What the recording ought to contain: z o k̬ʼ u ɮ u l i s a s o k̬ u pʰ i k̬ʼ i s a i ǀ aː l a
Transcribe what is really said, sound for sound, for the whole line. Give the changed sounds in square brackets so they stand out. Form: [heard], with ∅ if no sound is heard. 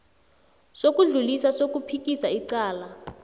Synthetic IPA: [s] o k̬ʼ u ɮ u l i s a s o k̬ u pʰ i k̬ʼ i s a i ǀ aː l a